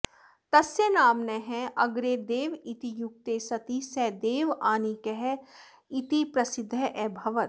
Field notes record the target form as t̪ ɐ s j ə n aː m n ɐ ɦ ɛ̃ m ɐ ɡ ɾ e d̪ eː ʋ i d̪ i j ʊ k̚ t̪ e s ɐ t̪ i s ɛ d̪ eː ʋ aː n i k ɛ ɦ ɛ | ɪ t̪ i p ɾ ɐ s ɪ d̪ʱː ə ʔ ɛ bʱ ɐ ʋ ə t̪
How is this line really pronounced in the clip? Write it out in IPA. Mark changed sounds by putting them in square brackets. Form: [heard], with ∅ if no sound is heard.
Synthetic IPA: t̪ ɐ s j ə n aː m n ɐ ɦ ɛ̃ [∅] ɐ ɡ ɾ e d̪ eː ʋ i [t̪] i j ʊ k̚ t̪ e s ɐ t̪ i s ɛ d̪ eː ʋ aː n i k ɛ ɦ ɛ | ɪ t̪ i p ɾ ɐ s ɪ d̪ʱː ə ʔ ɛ bʱ ɐ ʋ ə t̪